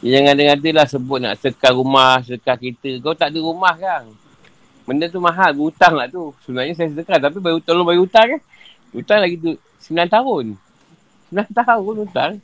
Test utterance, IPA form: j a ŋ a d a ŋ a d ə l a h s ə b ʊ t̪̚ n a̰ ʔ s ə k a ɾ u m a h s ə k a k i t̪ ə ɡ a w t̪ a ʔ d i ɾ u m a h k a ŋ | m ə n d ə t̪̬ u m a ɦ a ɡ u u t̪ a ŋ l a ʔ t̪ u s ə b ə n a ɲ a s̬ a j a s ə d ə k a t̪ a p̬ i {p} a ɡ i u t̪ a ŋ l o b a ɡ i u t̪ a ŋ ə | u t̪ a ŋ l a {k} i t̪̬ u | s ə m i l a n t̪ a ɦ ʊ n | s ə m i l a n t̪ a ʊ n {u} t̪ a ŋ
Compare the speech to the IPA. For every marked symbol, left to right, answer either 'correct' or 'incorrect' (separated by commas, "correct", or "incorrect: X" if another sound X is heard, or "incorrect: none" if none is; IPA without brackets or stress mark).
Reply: incorrect: b, incorrect: ɡ, correct